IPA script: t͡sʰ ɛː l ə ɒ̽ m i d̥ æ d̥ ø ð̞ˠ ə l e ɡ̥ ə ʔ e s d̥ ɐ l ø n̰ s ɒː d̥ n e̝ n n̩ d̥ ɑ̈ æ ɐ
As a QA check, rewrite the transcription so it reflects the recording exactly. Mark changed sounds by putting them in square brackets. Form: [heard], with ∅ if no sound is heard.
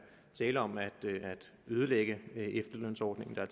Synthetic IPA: t͡sʰ ɛː l ə ɒ̽ m [æ] d̥ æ d̥ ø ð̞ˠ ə l e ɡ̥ ə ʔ e [f] d̥ ɐ l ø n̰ s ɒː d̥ n e̝ [ŋ] n̩ d̥ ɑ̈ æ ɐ